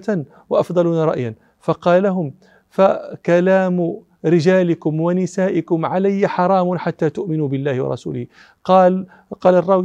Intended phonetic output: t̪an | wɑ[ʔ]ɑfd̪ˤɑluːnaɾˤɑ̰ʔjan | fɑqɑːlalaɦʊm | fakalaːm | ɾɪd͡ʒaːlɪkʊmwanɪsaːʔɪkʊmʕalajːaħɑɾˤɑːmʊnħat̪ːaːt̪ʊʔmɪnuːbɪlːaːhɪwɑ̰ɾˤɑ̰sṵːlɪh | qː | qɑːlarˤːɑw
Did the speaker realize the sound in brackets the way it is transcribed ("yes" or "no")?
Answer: yes